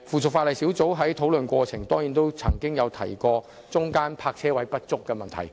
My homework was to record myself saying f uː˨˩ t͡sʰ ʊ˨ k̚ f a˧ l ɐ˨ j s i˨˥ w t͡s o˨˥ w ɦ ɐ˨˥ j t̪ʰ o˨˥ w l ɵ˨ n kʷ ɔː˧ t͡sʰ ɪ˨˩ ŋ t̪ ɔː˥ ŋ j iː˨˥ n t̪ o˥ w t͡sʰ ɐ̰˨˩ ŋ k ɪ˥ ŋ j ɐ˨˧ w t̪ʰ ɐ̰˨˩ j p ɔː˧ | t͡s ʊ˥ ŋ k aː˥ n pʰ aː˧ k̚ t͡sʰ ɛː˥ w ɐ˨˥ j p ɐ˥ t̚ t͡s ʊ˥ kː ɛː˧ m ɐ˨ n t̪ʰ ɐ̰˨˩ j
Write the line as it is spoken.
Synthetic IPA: f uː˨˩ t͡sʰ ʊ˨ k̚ f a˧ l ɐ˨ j s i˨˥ w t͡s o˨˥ w ɦ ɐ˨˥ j t̪ʰ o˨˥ w l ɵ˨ n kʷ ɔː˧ t͡sʰ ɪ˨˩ ŋ t̪ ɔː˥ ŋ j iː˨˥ n t̪ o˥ w t͡sʰ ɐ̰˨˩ ŋ k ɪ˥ ŋ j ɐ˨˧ w t̪ʰ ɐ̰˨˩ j k ɔː˧ | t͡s ʊ˥ ŋ k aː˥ n pʰ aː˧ k̚ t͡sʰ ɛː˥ w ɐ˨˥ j p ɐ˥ t̚ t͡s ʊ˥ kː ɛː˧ m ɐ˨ n t̪ʰ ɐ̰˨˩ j